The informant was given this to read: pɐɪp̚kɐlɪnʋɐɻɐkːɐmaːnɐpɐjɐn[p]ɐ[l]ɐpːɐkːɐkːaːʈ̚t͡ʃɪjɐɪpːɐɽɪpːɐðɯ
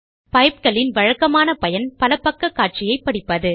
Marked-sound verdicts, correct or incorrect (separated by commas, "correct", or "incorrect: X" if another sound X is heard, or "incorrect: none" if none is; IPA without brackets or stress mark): correct, correct